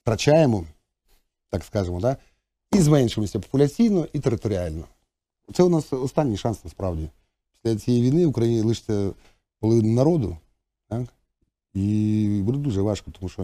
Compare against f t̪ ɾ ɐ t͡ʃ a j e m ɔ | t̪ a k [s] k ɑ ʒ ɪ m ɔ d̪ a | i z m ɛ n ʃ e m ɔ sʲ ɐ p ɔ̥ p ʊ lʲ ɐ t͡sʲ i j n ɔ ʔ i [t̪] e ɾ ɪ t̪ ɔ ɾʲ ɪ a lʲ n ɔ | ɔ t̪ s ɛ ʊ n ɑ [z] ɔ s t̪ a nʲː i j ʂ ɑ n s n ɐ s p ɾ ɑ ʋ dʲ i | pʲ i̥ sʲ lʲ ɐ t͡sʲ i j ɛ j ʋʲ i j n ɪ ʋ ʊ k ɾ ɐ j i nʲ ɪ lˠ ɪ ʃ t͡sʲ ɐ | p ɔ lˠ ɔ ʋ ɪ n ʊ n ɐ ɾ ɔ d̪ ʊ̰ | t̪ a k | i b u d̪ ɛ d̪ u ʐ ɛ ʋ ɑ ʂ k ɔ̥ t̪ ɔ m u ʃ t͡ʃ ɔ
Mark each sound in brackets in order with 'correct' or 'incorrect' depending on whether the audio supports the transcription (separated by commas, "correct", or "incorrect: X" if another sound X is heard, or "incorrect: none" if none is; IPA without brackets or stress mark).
correct, correct, incorrect: s